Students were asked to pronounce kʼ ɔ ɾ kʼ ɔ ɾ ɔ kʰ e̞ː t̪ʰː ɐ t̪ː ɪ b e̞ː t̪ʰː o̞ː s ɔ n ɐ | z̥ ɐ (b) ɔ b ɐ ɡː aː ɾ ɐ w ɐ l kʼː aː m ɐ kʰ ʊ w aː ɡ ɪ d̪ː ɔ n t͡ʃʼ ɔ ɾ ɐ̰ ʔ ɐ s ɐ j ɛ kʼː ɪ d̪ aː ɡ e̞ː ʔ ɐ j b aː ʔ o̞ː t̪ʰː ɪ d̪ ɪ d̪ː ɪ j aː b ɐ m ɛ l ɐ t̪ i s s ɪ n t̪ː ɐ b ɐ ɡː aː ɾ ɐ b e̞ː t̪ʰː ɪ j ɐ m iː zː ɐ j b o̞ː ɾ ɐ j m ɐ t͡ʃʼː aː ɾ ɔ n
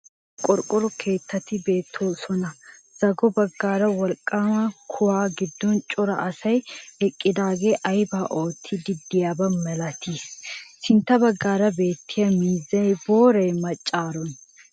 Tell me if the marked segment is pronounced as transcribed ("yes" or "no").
no